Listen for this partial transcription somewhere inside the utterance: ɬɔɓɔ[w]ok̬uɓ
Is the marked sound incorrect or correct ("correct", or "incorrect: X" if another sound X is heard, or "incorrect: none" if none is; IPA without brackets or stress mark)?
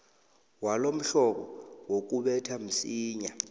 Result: correct